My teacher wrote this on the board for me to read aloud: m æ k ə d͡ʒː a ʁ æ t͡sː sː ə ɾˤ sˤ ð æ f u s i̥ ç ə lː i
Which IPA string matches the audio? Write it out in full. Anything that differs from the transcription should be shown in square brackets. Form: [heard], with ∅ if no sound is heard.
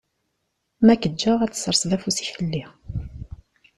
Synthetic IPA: m æ k ə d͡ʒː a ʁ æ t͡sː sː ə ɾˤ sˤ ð æ f u s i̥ ç ə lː i

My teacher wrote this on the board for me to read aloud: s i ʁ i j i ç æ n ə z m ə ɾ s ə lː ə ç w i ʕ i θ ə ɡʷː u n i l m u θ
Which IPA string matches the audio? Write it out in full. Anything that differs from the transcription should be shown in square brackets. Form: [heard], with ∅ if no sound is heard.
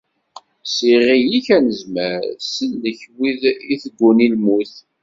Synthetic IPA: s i ʁ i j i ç æ n ə z m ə ɾ s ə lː ə ç w i [ð] i θ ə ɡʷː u n i l m u θ

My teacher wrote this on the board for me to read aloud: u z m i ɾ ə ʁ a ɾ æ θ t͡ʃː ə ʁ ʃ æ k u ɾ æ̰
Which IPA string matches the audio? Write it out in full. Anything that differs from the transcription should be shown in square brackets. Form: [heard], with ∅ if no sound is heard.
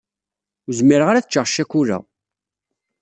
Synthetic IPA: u z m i ɾ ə ʁ a ɾ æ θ t͡ʃː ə ʁ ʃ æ k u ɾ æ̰

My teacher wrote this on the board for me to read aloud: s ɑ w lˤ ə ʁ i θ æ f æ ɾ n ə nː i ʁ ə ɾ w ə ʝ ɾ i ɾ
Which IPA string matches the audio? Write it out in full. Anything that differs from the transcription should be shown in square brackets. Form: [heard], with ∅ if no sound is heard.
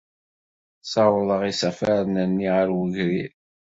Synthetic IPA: s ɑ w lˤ ə ʁ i [s] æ f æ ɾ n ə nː i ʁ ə ɾ w ə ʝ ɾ i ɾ

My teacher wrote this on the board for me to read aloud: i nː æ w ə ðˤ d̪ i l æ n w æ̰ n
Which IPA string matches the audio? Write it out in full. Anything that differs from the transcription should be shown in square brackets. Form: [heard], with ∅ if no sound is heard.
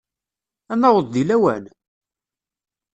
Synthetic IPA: [æ] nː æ w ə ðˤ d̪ i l æ [∅] w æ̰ n

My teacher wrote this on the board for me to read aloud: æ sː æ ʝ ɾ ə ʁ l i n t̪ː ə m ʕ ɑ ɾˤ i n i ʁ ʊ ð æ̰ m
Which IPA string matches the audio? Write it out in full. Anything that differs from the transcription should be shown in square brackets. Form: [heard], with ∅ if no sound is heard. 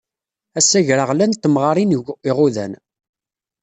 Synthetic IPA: æ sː æ ʝ ɾ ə ʁ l [æ] n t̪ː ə m [ʁ] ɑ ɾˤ i n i ʁ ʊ ð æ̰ [n]

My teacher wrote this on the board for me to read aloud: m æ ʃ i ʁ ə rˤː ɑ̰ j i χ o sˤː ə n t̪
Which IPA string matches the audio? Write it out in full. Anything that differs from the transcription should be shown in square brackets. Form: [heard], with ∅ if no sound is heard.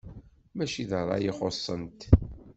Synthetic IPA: m æ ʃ i [ð] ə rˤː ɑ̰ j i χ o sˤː ə n t̪

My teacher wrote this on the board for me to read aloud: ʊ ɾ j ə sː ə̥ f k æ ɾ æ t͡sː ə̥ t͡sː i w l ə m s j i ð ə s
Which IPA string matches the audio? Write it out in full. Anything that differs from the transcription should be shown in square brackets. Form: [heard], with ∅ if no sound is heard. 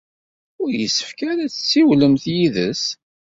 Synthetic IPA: ʊ ɾ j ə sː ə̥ f k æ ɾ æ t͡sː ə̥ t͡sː i w l ə m [θ] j i ð ə s

